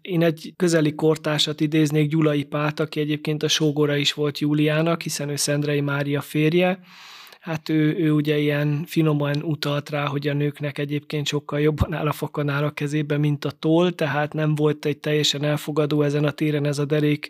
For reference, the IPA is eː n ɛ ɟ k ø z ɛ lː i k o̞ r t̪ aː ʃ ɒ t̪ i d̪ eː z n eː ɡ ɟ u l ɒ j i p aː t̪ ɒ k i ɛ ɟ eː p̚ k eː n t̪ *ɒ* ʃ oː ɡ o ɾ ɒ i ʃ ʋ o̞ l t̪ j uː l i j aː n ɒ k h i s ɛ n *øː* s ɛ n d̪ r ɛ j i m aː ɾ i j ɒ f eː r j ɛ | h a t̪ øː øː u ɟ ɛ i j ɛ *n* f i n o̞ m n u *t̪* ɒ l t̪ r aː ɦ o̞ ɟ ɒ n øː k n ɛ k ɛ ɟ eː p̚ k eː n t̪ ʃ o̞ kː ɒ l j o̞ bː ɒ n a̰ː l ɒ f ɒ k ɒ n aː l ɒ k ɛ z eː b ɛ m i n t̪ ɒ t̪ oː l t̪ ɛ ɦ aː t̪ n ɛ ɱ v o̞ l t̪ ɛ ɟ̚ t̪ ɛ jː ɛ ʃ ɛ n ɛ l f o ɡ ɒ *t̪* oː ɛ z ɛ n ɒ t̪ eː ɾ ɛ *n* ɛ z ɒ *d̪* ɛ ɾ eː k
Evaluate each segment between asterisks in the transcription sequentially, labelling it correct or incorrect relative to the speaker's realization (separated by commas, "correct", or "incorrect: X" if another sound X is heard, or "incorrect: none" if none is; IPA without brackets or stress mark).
correct, correct, correct, correct, incorrect: d̪, correct, correct